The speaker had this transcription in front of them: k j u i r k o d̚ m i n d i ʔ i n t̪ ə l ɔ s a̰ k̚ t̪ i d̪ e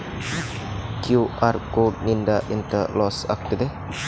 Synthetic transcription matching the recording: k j u a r k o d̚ n i n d a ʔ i n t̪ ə l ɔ s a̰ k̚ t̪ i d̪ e